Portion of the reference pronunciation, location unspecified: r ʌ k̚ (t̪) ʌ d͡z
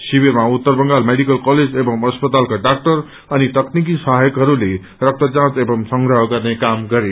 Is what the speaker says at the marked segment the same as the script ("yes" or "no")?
yes